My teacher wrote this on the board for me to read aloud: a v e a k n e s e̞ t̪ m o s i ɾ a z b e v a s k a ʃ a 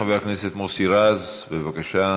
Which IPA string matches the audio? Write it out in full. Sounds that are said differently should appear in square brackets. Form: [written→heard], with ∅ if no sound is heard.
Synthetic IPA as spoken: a v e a k n e s e̞ t̪ m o s i ɾ a z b e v a [s→∅] k a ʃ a